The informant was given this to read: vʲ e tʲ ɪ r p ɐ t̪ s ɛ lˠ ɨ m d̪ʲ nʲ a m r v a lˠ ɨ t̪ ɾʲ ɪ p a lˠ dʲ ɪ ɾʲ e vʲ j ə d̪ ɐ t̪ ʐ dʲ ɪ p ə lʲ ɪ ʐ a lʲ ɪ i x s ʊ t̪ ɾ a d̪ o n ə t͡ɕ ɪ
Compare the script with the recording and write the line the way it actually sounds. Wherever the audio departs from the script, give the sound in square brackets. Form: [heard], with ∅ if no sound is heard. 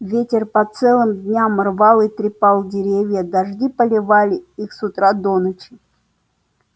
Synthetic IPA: vʲ e tʲ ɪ r p ɐ t̪ s ɛ lˠ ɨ m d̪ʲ nʲ a m r v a lˠ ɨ t̪ ɾʲ ɪ p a lˠ dʲ ɪ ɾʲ e vʲ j ə d̪ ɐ [∅] ʐ dʲ [i] p ə lʲ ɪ [v] a lʲ ɪ i x s ʊ t̪ ɾ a d̪ o n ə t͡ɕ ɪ